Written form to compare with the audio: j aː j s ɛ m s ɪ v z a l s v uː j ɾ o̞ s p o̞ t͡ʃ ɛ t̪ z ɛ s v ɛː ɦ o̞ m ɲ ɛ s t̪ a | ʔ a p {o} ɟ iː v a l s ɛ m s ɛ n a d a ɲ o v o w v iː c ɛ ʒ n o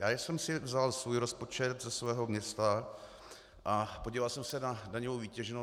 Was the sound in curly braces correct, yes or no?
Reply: yes